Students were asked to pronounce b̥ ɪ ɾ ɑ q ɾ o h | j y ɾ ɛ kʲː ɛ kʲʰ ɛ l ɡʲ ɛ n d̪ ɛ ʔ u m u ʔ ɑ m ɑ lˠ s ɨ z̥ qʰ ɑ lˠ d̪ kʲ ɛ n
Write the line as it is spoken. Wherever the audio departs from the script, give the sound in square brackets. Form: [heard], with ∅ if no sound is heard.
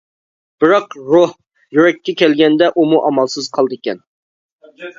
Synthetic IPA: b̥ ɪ ɾ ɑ q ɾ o h | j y ɾ ɛ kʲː ɛ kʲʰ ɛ l ɡʲ ɛ n d̪ ɛ ʔ u m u ʔ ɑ m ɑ lˠ s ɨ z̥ qʰ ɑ lˠ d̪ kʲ ɛ n